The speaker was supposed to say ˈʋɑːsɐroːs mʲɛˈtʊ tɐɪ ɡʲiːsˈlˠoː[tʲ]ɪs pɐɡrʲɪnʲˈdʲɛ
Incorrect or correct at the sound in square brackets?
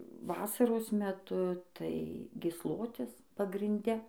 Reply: correct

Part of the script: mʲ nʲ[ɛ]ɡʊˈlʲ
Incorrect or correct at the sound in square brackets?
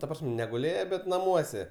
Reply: correct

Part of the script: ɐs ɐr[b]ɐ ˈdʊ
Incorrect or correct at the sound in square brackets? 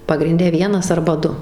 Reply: correct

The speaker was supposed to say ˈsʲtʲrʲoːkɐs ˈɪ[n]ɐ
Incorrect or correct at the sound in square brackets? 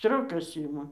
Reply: incorrect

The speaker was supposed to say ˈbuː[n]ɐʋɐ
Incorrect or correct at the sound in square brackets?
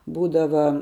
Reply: incorrect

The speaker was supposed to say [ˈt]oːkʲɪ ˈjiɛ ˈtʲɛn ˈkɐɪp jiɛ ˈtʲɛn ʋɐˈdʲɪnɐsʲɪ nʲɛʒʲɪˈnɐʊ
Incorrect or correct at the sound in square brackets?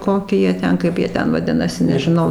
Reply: incorrect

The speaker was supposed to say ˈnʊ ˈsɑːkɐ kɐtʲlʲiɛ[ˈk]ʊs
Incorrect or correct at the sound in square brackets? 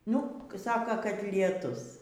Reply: incorrect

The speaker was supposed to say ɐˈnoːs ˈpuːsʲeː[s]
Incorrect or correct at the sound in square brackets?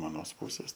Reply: correct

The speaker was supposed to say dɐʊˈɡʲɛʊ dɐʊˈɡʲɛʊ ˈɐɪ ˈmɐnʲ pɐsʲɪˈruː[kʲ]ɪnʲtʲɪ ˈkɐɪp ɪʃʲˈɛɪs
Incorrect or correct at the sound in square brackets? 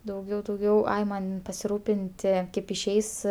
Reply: incorrect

